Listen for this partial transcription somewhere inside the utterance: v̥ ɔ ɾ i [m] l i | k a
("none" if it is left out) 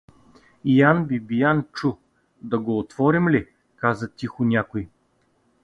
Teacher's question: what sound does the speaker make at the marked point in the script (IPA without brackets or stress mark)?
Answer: m